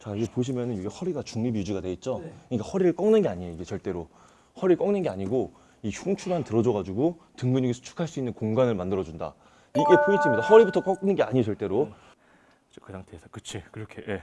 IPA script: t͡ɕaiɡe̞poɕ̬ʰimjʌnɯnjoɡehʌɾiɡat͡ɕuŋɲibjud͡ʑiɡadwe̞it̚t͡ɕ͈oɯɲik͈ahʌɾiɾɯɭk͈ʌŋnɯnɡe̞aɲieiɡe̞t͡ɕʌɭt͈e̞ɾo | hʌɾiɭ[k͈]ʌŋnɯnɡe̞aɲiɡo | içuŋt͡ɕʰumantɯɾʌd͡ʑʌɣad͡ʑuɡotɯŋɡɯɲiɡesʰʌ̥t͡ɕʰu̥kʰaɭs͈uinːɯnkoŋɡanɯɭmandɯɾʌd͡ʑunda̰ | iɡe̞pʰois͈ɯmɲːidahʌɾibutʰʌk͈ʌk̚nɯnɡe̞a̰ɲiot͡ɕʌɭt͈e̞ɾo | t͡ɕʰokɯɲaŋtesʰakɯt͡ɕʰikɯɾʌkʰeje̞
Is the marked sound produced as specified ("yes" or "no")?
yes